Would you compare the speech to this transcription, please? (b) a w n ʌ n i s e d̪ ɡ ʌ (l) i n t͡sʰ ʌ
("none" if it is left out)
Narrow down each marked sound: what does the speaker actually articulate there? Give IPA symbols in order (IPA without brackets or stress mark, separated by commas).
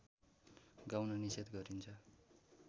ɡ, ɾ